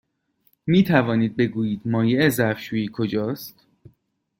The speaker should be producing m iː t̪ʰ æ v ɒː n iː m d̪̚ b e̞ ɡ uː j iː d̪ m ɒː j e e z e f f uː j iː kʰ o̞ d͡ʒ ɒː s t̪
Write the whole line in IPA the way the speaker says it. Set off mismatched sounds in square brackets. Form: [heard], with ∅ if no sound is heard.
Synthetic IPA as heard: m iː t̪ʰ æ v ɒː n iː [∅] d̪̚ b e̞ ɡ uː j iː d̪ m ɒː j e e z [æ] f [ʃ] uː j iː kʰ o̞ d͡ʒ ɒː s t̪